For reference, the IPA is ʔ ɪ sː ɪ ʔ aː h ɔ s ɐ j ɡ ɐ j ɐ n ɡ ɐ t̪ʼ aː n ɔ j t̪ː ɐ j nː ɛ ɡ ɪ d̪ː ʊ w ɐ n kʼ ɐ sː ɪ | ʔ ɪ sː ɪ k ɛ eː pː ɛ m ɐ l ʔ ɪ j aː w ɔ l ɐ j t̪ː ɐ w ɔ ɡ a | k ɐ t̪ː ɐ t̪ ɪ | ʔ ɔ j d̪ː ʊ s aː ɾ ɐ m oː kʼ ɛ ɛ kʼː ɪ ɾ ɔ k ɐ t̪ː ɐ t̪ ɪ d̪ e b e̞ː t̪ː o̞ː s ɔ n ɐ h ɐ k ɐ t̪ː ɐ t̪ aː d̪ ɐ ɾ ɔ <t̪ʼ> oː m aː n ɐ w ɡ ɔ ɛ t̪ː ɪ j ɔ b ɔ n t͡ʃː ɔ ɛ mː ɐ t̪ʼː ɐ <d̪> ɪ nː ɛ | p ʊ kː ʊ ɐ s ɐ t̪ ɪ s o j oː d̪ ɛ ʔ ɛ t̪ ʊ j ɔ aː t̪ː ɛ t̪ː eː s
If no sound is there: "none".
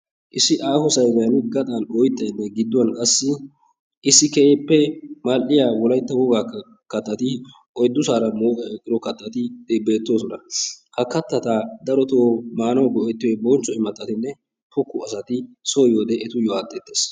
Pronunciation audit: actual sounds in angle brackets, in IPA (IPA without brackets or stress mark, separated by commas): t̪, t̪